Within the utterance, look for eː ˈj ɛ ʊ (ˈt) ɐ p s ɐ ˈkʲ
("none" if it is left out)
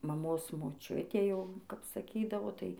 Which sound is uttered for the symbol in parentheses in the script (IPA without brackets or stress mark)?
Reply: k